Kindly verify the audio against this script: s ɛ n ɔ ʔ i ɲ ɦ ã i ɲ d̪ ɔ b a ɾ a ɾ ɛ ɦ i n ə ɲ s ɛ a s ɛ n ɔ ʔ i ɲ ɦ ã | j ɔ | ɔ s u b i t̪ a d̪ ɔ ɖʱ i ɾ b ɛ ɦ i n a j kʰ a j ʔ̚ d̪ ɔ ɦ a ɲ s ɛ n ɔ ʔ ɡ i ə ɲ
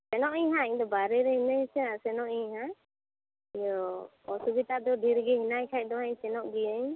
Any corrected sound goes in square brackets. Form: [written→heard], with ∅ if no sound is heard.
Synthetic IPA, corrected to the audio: s ɛ n ɔ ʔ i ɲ ɦ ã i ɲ d̪ ɔ b a ɾ [a→ɛ] ɾ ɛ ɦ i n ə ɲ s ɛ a s ɛ n ɔ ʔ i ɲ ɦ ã | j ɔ | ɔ s u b i t̪ a d̪ ɔ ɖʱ i ɾ [b→ɡ] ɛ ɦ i n a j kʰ a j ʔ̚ d̪ ɔ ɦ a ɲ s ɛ n ɔ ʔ ɡ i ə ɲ